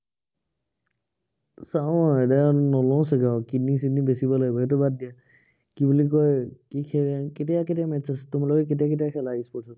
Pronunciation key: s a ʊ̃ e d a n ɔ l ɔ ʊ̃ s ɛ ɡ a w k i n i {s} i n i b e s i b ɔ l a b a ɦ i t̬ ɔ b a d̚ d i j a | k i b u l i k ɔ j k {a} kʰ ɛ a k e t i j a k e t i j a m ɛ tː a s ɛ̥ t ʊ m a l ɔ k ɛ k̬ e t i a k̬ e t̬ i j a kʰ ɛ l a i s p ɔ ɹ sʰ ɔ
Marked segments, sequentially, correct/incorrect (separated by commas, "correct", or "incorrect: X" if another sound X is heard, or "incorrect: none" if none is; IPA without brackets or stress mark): correct, incorrect: i